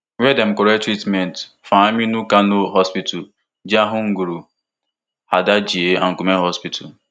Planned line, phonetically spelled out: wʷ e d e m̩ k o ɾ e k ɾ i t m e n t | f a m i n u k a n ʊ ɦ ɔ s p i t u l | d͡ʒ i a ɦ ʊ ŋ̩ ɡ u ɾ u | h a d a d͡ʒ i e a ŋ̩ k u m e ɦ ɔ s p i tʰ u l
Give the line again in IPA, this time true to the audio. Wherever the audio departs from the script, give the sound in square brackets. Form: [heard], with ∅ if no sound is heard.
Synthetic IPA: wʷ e d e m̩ k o ɾ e [t] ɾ i t m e n t | f a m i n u k a n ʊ ɦ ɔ s p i t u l | d͡ʒ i a ɦ ʊ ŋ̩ ɡ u ɾ u | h a d a d͡ʒ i e a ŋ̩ k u m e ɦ ɔ s p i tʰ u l